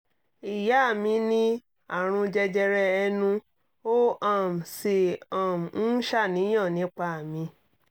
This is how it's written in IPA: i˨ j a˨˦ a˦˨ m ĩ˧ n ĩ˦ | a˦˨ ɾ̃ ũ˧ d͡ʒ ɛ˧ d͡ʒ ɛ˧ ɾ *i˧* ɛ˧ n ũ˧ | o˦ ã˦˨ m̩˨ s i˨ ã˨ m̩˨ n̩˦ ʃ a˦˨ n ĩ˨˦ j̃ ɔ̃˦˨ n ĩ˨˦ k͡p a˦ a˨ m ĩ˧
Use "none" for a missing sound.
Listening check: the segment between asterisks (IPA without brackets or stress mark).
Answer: ɛ˧